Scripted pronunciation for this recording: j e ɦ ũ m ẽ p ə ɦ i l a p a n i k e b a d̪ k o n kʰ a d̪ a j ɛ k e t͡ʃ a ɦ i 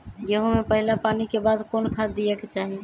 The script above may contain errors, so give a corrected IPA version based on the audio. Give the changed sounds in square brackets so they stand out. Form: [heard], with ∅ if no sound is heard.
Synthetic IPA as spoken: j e ɦ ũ m [e] p ə ɦ i l a p a n i k e b a d̪ k o n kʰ a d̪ [i] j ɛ k e t͡ʃ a ɦ i